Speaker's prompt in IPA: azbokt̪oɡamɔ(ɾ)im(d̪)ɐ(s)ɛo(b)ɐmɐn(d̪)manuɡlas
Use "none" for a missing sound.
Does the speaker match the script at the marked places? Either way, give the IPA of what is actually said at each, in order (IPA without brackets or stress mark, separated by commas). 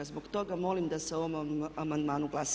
l, d̪, s, m, d̪